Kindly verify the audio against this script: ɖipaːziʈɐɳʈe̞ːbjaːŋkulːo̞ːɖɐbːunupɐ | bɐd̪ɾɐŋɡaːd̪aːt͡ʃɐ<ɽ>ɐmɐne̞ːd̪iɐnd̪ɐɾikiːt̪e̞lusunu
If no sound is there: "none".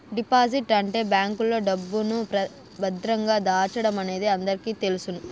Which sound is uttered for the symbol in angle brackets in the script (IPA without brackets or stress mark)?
ɽ